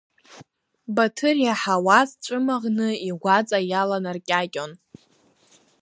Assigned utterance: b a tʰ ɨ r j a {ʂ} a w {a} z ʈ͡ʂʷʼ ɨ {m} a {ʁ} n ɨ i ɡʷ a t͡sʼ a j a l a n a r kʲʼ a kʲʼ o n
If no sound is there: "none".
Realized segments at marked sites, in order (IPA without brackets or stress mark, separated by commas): ħ, a, m, ʁ